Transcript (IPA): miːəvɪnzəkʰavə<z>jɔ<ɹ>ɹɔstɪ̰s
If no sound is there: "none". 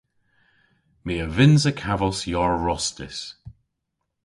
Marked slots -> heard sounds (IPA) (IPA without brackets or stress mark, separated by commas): s, ɹ